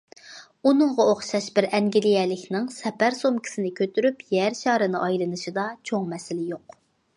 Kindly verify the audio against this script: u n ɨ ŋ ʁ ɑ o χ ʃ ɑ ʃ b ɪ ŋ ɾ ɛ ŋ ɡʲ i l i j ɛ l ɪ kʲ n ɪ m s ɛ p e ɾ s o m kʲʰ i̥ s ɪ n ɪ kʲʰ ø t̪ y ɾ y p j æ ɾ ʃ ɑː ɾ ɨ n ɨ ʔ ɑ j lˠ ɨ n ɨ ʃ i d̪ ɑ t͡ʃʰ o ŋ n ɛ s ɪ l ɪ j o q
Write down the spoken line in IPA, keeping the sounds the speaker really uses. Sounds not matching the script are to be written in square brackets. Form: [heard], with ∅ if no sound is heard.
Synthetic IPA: u n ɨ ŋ ʁ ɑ o χ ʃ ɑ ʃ b ɪ [∅] ɾ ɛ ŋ ɡʲ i l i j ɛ l ɪ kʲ n ɪ [ŋ] s ɛ p [æ] ɾ s o m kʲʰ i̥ s ɪ n ɪ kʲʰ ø t̪ y ɾ y p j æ ɾ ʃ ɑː ɾ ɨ n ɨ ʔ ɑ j lˠ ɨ n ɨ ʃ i d̪ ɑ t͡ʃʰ o ŋ [m] ɛ s ɪ l ɪ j o q